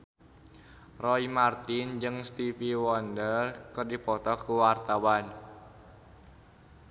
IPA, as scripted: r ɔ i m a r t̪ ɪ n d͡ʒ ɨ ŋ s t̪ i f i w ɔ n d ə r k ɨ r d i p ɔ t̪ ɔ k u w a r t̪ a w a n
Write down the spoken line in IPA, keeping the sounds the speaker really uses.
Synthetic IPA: r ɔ i m a r t̪ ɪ n d͡ʒ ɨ ŋ s t̪ i f i w ɔ n d ə r k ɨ r d i p ɔ t̪ ɔ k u w a r t̪ a w a n